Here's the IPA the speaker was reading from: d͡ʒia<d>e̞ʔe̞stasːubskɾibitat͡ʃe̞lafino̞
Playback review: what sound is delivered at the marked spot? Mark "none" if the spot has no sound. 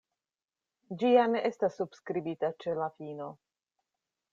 n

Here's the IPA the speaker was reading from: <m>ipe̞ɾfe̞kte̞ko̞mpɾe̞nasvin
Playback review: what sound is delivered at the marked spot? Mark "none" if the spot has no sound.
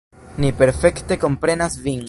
n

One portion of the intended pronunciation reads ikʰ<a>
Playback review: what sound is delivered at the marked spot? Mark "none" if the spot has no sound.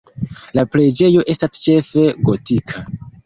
a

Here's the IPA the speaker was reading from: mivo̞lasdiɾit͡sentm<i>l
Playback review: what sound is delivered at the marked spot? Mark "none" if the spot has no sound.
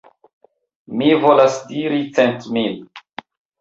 i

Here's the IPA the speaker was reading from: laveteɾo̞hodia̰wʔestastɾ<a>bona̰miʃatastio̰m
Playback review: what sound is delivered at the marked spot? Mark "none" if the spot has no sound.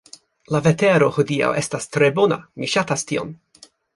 e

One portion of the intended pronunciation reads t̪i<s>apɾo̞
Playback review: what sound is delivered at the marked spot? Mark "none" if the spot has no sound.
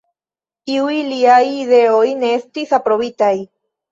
s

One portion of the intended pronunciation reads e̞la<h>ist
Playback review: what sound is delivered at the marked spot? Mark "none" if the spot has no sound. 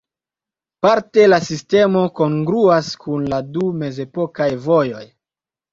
s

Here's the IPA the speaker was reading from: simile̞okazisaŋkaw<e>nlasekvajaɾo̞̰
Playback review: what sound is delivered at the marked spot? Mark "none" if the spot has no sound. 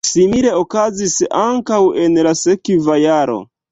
e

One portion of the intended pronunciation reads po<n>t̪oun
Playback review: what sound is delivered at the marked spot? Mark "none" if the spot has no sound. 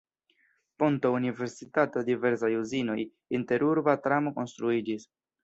n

